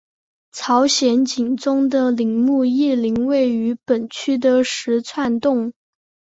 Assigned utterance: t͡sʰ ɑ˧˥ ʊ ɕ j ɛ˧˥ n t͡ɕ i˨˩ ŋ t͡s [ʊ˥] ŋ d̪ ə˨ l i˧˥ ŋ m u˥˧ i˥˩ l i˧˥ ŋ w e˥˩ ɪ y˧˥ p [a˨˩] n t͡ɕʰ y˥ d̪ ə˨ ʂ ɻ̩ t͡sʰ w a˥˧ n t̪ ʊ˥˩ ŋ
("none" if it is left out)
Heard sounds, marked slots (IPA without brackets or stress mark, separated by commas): ʊ˥, ə˨˩